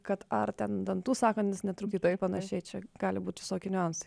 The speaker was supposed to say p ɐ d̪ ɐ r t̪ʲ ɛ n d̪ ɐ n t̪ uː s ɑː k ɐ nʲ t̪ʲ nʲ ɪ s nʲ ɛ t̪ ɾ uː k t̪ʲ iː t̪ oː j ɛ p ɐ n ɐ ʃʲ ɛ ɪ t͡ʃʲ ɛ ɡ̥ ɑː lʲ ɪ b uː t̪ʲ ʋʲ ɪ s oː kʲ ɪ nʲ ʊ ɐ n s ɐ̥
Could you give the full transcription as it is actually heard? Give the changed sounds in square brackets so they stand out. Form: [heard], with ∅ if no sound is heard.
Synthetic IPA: [k] ɐ [t̪] ɐ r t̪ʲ ɛ n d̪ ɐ n t̪ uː s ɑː k ɐ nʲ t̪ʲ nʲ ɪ s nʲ ɛ t̪ ɾ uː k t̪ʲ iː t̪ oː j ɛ p ɐ n ɐ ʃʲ ɛ ɪ t͡ʃʲ ɛ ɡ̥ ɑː lʲ ɪ b uː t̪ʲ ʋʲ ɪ s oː kʲ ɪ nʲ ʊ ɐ n s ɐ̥